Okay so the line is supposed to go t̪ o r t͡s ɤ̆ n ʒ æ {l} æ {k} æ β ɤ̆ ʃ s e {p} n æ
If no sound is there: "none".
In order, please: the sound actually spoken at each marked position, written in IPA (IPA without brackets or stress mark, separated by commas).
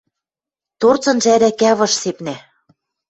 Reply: ɾ, k, p